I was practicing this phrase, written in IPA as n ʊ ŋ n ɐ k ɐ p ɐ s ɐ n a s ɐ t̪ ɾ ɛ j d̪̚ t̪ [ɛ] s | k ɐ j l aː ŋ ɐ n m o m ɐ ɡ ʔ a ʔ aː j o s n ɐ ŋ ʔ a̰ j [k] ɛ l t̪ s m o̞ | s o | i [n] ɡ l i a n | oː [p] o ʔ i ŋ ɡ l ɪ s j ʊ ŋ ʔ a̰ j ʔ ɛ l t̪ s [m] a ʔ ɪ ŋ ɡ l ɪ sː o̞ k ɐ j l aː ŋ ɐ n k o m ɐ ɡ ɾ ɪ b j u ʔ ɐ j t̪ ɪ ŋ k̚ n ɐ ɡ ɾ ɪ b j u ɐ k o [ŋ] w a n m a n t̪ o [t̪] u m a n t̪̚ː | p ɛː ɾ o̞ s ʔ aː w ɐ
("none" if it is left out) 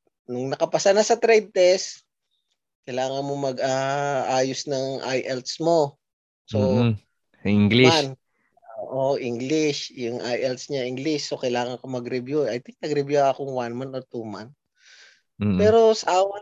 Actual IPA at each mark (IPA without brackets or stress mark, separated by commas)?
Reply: ɛ, ʔ, ŋ, ʔ, ɲ, ŋ, t̪